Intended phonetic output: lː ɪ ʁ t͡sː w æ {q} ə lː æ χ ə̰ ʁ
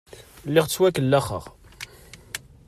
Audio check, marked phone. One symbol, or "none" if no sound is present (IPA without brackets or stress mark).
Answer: k